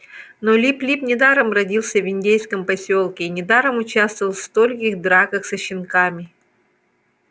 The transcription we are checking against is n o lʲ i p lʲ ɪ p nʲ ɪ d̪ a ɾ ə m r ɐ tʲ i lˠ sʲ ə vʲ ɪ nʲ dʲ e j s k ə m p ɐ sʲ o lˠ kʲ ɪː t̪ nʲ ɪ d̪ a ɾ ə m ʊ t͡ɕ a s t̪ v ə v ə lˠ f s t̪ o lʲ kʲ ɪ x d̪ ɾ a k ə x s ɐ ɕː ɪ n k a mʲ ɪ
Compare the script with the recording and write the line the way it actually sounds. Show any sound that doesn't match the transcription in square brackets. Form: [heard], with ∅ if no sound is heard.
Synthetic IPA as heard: n o lʲ i p lʲ [i] p nʲ ɪ d̪ a ɾ ə m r ɐ [dʲ] i lˠ sʲ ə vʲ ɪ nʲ dʲ e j s k ə m p ɐ sʲ o lˠ kʲ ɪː [∅] nʲ ɪ d̪ a ɾ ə m ʊ t͡ɕ a s t̪ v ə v ə lˠ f s t̪ o lʲ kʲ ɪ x d̪ ɾ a k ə x s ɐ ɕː ɪ n k a mʲ ɪ